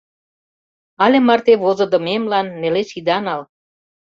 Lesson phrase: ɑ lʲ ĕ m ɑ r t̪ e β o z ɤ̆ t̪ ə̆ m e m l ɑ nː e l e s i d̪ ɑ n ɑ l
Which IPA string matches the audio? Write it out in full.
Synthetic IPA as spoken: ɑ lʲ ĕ m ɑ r t̪ e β o z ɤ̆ d̪ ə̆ m e m l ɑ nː e l e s i d̪ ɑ n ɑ l